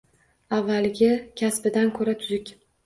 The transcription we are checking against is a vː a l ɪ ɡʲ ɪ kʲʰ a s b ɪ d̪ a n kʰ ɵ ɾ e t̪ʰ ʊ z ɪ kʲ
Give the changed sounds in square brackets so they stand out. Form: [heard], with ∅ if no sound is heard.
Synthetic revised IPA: a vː a l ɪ ɡʲ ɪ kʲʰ a s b ɪ d̪ a n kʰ ɵ ɾ [a] t̪ʰ ʊ z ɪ kʲ